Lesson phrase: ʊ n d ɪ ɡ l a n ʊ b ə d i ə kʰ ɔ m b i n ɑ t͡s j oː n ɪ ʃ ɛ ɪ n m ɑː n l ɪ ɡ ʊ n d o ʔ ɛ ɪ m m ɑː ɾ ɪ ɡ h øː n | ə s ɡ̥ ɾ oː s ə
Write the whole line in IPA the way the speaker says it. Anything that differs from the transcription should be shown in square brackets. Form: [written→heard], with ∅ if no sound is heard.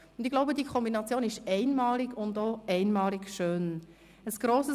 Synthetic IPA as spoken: ʊ n d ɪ ɡ l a [n→∅] ʊ b ə d i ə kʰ ɔ m b i n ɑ t͡s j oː n ɪ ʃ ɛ ɪ n m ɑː [n→∅] l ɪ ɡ ʊ n d o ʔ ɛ ɪ [m→n] m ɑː [ɾ→l] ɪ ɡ [h→ʃ] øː n | ə s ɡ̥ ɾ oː s ə

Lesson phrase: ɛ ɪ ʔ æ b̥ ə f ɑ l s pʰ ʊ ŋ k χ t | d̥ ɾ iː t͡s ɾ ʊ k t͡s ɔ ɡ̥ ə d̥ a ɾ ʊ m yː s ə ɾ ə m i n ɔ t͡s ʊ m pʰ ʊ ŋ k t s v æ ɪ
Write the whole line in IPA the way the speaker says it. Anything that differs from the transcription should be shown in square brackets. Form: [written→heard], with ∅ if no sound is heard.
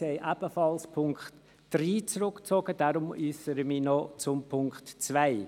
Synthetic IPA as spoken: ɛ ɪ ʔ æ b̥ ə f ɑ l s pʰ ʊ ŋ k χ t | d̥ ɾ iː t͡s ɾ ʊ k t͡s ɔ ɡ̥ ə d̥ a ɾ ʊ m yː s ə ɾ ə m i n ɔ t͡s ʊ m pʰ ʊ ŋ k t [s→t͡s] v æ ɪ

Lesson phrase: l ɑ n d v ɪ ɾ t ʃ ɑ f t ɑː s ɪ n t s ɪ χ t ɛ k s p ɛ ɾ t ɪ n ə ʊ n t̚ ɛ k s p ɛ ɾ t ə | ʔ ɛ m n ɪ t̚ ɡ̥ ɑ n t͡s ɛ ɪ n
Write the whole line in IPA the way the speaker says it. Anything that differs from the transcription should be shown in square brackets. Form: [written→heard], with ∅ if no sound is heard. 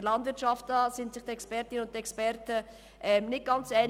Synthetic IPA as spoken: l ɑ n d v ɪ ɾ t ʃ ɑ f t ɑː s ɪ n t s ɪ χ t ɛ k s p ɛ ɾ t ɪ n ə ʊ n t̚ ɛ k s p ɛ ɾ t ə | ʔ ɛ m n ɪ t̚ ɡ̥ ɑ n t͡s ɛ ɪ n

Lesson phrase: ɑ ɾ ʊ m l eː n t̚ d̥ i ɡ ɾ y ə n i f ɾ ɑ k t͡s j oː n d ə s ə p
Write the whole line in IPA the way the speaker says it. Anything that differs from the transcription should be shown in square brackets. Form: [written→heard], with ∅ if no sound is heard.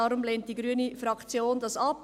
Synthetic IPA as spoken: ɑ ɾ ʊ m l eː n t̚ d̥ i ɡ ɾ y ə n i f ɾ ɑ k t͡s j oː n d [ə→ɑ] s [ə→ɑ] p

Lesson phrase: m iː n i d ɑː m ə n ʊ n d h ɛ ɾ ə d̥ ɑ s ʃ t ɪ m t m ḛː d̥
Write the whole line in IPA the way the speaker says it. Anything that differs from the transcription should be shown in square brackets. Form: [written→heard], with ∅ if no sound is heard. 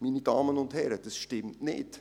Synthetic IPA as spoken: m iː n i d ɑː m ə n ʊ n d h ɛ ɾ ə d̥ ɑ s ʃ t ɪ m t [m→n] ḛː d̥

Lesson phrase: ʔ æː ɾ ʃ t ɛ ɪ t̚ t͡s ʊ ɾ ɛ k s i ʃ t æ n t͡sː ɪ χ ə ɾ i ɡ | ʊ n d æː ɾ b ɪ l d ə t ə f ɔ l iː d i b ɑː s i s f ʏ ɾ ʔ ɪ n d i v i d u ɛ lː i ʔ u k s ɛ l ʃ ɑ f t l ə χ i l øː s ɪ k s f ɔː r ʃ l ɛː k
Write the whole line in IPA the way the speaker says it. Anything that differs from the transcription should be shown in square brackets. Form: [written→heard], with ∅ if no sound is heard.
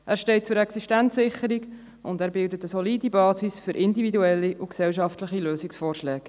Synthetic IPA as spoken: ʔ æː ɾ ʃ t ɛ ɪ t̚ t͡s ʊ ɾ ɛ k s i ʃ t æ n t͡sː ɪ χ ə ɾ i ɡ | ʊ n d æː ɾ b ɪ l d ə t ə [f→s] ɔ l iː d i b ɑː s i s f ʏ ɾ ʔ ɪ n d i v i d u ɛ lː i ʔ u k s ɛ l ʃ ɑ f t l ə χ i l øː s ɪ k s f ɔː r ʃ l ɛː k

